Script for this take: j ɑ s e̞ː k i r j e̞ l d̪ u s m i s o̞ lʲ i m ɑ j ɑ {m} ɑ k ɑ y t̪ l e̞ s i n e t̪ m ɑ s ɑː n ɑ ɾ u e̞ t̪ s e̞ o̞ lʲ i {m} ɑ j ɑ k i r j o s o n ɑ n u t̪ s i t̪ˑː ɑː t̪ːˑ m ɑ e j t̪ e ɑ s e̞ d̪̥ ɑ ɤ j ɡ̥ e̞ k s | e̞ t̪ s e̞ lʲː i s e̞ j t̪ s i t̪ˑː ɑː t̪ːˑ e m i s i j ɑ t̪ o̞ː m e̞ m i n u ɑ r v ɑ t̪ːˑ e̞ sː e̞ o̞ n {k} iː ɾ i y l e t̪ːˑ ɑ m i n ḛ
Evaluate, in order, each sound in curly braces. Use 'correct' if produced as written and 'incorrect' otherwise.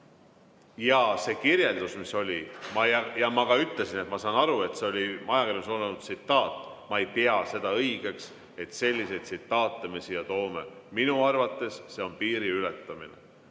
correct, correct, incorrect: p

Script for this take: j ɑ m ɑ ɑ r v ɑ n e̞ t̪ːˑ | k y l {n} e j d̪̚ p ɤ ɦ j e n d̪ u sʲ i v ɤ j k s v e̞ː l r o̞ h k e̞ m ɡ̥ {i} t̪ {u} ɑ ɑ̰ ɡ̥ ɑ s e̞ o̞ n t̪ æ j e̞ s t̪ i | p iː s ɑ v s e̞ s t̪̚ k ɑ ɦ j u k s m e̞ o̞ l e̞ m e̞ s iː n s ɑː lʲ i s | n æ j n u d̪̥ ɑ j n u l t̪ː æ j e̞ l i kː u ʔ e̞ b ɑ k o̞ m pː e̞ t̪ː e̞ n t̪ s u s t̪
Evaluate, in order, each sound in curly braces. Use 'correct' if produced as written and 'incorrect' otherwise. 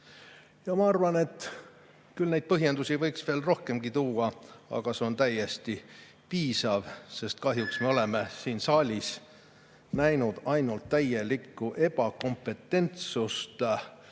correct, correct, incorrect: uː

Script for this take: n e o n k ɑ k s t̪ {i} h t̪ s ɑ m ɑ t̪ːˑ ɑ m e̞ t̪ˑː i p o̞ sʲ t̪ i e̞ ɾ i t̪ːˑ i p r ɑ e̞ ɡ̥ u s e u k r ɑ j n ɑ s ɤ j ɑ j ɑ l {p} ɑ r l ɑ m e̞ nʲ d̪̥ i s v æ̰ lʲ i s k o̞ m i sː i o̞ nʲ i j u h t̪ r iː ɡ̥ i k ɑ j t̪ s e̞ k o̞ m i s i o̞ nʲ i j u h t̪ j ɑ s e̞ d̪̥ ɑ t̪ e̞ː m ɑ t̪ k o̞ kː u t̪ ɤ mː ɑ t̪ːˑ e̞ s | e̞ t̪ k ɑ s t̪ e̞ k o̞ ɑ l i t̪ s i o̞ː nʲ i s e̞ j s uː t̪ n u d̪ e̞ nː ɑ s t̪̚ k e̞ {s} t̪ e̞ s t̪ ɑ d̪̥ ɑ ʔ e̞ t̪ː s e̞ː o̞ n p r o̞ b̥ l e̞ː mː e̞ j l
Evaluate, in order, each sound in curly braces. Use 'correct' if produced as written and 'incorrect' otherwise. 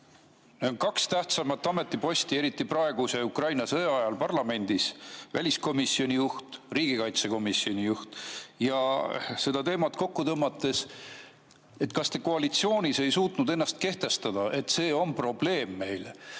incorrect: æ, correct, incorrect: h

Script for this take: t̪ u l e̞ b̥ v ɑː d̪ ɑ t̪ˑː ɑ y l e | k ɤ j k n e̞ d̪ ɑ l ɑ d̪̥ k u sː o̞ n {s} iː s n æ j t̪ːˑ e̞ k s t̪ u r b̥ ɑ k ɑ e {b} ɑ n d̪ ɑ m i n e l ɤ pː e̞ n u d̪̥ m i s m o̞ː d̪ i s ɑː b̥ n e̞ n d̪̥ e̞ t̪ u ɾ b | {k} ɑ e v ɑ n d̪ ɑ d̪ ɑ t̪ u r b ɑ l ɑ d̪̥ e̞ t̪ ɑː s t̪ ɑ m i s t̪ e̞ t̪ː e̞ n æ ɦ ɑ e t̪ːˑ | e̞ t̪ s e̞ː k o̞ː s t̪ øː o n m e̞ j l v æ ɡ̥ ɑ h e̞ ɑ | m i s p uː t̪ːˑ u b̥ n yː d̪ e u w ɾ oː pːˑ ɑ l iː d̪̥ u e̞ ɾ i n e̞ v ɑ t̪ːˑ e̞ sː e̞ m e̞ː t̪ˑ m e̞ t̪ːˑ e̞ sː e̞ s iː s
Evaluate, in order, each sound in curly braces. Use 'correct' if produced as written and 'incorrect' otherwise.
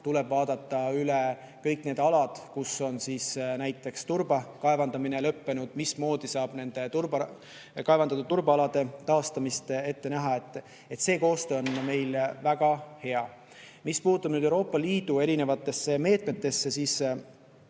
correct, incorrect: v, correct

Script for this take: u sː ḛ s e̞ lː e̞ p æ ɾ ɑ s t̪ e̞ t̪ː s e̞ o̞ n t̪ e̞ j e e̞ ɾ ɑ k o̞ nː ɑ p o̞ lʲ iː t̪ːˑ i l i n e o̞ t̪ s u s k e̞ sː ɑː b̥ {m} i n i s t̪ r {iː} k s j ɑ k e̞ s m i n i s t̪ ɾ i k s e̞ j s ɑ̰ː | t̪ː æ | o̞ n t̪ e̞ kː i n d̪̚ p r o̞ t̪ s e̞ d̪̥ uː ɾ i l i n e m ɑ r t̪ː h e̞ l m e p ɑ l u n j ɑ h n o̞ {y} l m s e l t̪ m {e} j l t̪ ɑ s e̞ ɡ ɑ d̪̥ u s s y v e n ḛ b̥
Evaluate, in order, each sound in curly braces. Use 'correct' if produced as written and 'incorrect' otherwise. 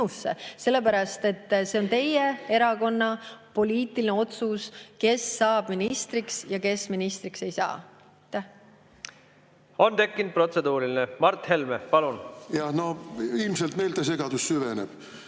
correct, incorrect: i, incorrect: i, correct

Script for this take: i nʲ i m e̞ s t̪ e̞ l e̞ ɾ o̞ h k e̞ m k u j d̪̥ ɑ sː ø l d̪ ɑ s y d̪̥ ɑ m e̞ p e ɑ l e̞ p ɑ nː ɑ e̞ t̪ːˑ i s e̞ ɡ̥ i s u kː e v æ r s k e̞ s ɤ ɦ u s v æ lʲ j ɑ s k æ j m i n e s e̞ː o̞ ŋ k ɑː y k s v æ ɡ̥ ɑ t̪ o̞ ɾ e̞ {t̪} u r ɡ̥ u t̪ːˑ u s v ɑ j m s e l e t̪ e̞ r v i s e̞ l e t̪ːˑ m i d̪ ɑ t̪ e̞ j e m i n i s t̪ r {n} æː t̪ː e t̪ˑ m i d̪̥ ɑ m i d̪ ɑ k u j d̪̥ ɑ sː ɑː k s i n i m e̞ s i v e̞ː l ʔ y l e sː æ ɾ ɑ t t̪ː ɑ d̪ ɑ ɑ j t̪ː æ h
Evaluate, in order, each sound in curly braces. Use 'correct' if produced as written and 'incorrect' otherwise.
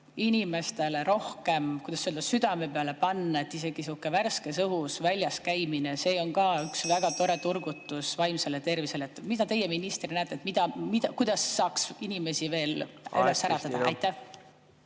correct, correct

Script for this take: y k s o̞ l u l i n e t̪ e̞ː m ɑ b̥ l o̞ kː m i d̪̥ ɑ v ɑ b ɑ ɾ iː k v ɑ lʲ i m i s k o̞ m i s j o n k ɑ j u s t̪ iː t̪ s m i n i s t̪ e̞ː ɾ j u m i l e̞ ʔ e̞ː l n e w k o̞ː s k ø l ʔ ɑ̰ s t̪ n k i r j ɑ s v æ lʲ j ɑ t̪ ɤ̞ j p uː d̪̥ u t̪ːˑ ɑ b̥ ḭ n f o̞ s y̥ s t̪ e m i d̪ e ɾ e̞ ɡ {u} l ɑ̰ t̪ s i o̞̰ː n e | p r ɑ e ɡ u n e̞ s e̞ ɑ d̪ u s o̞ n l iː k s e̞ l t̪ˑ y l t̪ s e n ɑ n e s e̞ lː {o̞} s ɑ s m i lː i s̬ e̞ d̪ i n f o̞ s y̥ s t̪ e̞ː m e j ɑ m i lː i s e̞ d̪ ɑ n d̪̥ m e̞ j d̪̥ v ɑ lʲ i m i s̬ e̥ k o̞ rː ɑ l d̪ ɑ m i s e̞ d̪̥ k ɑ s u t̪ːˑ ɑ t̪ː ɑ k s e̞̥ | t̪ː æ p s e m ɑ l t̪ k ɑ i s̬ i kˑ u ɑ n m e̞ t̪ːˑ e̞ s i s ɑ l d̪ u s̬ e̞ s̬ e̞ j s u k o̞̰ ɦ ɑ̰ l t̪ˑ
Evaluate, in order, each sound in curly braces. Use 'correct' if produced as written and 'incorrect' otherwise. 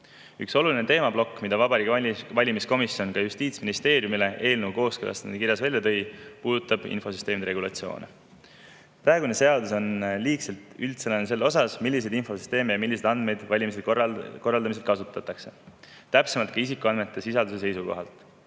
correct, correct

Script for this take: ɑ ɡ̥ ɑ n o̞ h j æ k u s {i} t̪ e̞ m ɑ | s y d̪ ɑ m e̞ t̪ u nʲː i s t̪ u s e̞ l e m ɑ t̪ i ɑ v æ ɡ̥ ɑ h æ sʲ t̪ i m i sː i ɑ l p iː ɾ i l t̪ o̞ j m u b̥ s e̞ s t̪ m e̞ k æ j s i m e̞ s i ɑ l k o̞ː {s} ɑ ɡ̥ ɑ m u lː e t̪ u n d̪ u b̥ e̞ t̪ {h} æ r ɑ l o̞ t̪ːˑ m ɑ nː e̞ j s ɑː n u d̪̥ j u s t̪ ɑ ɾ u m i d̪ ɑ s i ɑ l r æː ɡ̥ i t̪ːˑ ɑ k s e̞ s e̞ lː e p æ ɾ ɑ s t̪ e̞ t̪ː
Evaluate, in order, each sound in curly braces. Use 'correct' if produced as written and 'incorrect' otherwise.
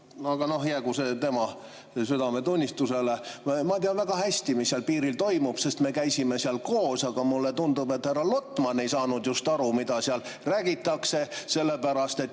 incorrect: e, correct, correct

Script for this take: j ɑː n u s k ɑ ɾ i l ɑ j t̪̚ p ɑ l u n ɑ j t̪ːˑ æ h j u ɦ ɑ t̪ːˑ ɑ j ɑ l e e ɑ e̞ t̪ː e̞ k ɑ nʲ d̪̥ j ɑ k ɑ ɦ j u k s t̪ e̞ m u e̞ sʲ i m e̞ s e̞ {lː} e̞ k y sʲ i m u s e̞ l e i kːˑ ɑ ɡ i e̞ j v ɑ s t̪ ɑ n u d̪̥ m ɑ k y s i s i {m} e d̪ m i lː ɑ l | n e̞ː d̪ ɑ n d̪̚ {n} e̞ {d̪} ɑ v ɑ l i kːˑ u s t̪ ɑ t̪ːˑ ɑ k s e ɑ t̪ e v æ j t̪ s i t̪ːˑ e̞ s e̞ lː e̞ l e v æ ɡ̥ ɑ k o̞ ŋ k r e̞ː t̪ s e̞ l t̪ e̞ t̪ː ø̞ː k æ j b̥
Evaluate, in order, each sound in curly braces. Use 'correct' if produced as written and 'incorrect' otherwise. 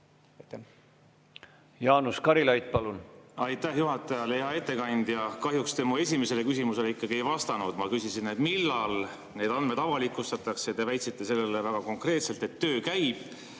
incorrect: l, incorrect: n, incorrect: m, correct

